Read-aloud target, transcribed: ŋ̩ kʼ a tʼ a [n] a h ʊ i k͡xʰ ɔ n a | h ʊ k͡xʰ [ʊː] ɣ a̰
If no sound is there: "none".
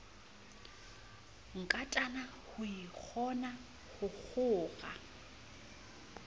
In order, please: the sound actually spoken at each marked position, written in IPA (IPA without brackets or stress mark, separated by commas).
n, ʊː